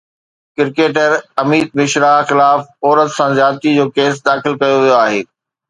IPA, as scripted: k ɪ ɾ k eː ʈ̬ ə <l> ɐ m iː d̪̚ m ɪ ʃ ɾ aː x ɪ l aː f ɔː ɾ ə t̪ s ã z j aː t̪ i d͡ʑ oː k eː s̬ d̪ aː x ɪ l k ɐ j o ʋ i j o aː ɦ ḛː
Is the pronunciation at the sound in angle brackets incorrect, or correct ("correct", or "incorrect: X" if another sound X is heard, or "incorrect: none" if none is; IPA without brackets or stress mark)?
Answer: incorrect: ɾ